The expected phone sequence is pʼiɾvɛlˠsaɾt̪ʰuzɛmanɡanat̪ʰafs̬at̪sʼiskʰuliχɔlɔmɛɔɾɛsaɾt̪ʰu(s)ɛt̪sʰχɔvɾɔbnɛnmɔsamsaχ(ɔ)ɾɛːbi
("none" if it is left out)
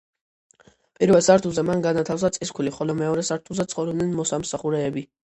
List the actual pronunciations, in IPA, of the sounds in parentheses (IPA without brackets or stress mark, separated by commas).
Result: z, u